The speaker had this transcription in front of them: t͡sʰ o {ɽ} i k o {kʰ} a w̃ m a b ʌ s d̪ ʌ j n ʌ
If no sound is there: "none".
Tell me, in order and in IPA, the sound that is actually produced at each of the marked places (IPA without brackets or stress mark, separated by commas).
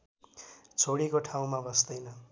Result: ɽ, ʈʰ